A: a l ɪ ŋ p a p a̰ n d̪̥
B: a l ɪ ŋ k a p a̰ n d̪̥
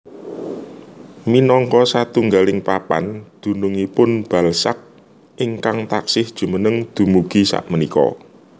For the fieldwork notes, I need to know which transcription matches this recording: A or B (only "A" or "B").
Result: A